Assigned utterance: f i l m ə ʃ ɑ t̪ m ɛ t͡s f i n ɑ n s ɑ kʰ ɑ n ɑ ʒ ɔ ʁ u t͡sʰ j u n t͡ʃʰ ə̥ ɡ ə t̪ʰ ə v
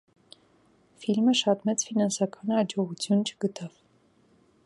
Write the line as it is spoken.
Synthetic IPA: f i l m ə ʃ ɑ t̪ m ɛ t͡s f i n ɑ n s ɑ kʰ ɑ n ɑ d͡ʒ ɔ ʁ u t͡sʰ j u n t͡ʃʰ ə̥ ɡ ə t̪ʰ ɑ v